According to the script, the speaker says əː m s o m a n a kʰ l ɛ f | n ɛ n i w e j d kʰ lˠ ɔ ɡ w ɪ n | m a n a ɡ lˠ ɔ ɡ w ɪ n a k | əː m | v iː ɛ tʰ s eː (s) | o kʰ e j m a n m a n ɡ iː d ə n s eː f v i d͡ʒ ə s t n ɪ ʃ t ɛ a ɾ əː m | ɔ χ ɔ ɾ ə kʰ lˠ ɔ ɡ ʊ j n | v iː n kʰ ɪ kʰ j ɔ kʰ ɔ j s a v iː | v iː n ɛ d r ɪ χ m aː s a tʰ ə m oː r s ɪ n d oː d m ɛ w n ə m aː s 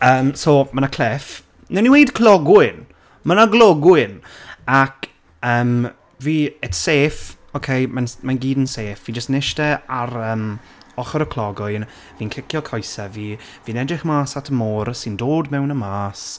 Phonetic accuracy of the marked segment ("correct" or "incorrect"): incorrect